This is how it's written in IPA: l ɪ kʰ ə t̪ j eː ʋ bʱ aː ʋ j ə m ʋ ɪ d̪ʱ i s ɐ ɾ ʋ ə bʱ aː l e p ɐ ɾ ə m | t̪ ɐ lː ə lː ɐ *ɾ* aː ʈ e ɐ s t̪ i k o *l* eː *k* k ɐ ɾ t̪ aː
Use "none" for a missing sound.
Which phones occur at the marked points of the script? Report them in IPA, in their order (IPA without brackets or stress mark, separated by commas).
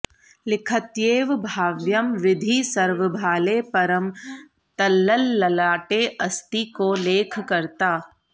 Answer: l, l, kʰ